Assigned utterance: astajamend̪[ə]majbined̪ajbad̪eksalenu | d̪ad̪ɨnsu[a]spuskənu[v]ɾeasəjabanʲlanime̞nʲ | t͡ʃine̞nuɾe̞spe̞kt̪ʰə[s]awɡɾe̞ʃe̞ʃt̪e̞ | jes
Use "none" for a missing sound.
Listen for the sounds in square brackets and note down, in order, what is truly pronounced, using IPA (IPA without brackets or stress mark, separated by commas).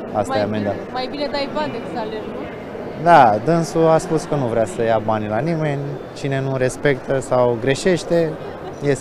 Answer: a, a, v, s